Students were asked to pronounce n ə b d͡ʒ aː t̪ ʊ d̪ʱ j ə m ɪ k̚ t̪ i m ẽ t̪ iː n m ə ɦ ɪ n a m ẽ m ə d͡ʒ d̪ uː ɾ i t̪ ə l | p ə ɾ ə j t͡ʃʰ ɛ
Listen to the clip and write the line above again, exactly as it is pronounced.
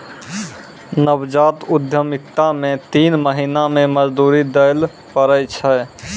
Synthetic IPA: n ə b d͡ʒ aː t̪ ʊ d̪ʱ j ə m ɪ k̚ t̪ a m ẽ t̪ iː n m ə ɦ i n a m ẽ m ə d͡ʒ d̪ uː ɾ i d̪ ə l | p ə ɾ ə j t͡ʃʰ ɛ